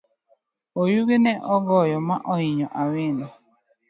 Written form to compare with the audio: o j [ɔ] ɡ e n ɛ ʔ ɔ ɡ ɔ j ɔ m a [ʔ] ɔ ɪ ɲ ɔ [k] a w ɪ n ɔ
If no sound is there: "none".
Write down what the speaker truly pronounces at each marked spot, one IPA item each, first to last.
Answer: u, ʔ, ʔ

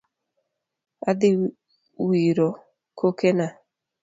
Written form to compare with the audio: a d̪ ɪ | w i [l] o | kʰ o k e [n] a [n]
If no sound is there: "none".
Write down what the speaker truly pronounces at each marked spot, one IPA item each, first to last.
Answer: ɾ, n, none

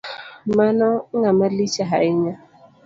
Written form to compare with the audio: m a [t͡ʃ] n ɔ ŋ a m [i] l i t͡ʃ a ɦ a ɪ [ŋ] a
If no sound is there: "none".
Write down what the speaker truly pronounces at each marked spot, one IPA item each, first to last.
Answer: none, a, ɲ

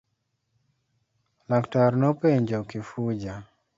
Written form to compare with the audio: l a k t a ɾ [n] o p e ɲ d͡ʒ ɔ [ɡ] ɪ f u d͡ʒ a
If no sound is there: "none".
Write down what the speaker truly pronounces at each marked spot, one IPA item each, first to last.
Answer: n, k

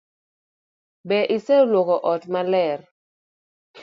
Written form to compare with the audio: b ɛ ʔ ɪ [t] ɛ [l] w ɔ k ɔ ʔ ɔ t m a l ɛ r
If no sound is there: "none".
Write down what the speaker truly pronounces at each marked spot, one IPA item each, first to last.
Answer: s, l

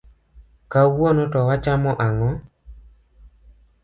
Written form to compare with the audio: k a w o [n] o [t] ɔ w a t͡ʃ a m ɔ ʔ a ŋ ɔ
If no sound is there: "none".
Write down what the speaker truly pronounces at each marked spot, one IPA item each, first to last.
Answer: n, t

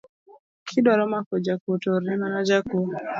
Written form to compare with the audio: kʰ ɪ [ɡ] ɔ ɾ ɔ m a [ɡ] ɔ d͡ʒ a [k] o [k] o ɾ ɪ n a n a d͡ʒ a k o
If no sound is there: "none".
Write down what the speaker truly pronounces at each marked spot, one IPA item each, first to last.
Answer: d, k, k, t

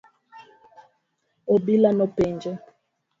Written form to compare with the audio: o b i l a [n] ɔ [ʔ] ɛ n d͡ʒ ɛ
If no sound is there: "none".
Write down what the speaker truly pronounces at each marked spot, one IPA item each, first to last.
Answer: n, p

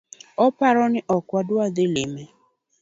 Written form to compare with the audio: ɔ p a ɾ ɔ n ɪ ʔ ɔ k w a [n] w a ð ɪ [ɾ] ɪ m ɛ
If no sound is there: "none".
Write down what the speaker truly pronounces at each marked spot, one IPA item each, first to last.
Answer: d, l

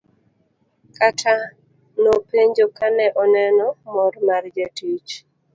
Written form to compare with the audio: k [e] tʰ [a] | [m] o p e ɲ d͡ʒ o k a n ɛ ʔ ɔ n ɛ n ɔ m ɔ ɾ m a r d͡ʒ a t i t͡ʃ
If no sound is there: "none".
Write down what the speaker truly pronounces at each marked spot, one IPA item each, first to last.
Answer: a, a, n

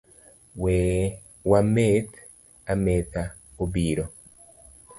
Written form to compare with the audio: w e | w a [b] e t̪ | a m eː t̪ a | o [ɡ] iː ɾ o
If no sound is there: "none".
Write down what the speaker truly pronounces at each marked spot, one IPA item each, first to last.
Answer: m, b

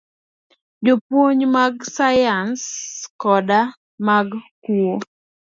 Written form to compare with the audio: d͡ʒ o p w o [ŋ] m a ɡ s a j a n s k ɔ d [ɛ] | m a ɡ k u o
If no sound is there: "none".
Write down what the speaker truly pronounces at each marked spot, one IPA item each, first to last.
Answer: ɲ, a

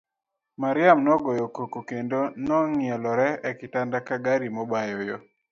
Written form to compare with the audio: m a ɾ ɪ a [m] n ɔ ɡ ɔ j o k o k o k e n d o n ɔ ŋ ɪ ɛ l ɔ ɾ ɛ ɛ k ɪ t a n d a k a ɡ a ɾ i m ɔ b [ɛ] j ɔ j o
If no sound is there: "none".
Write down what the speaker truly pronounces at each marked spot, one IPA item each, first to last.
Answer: m, a

